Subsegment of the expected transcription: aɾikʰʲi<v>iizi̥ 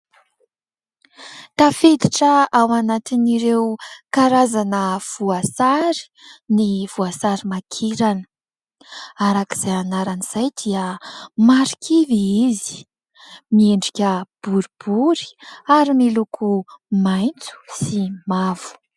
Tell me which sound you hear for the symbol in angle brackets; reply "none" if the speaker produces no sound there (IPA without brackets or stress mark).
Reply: v